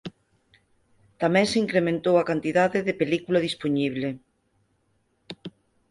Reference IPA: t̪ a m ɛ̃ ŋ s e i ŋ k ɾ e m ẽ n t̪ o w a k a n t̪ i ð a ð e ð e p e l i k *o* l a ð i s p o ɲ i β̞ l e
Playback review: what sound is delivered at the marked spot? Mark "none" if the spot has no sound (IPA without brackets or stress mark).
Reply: u